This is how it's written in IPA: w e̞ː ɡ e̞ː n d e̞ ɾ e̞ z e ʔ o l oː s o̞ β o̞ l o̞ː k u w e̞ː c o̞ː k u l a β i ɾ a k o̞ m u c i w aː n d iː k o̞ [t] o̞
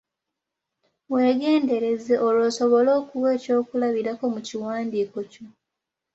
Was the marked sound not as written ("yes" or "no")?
yes